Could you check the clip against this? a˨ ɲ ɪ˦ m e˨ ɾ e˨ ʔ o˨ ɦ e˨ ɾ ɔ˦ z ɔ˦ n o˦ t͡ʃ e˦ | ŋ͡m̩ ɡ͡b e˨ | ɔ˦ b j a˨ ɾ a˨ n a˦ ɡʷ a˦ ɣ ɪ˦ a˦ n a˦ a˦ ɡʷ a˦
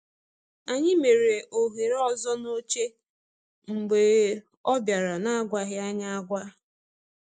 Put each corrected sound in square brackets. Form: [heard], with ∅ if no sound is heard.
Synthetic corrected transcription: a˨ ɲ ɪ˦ m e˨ ɾ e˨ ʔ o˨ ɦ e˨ ɾ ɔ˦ z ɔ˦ n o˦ t͡ʃ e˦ | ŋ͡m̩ ɡ͡b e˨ | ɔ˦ b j a˨ ɾ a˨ n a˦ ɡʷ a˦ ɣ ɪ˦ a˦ [ɲ] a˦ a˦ ɡʷ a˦